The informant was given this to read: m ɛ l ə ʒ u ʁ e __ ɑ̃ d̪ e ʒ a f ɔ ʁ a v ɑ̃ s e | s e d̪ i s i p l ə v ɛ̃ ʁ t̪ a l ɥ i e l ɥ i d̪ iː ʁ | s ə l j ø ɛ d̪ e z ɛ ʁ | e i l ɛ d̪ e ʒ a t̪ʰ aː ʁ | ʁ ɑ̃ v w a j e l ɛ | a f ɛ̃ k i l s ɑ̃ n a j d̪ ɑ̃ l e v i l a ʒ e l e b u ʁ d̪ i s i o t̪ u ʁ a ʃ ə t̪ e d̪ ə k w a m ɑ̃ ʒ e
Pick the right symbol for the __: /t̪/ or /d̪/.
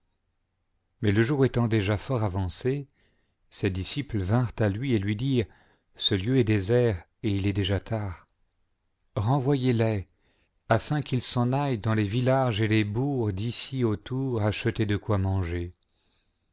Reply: t̪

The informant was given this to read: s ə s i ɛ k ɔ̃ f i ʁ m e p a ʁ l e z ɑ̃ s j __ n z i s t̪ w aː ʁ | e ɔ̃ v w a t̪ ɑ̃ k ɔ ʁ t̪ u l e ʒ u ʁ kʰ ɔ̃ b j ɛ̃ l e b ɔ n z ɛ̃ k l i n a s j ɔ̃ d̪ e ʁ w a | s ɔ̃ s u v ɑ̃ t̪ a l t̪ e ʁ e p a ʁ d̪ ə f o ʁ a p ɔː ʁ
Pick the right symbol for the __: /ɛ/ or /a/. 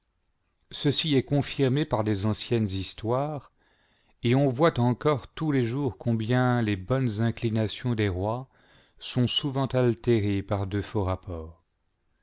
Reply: ɛ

